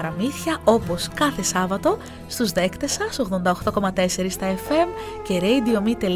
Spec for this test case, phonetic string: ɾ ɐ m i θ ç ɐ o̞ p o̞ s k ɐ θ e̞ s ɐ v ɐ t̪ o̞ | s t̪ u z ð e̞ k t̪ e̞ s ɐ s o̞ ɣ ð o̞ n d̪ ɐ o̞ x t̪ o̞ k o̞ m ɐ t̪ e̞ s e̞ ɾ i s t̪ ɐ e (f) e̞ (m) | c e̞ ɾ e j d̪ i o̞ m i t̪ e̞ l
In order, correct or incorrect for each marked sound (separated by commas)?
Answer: correct, correct